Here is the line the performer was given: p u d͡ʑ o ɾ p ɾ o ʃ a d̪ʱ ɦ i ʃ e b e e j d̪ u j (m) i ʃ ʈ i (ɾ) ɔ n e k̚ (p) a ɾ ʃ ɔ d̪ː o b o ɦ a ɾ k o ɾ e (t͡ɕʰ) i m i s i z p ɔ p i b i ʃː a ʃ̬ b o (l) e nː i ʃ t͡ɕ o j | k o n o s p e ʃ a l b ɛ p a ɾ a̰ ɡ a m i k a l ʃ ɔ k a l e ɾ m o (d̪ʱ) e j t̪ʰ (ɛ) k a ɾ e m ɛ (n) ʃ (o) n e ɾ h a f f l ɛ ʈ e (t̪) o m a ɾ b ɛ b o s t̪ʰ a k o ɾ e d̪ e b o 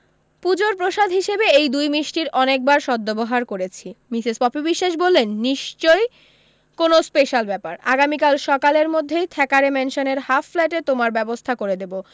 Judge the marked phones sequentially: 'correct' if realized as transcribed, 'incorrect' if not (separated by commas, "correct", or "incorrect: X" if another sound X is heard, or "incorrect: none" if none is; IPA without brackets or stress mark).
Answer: correct, correct, incorrect: b, correct, incorrect: lː, incorrect: d̪ʱː, correct, correct, correct, correct